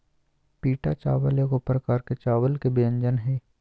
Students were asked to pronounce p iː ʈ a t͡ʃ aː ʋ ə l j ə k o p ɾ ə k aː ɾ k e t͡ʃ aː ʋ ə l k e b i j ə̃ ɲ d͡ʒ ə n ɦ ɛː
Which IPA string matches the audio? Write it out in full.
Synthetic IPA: p iː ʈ a t͡ʃ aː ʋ ə l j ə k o p ɾ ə k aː ɾ k e t͡ʃ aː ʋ ə l k e b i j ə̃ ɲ d͡ʒ ə n ɦ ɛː